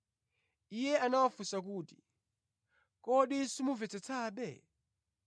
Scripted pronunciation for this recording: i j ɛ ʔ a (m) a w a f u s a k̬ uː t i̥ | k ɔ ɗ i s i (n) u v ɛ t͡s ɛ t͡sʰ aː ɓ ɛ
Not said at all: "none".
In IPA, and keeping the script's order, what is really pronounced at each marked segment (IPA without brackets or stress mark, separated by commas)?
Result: n, m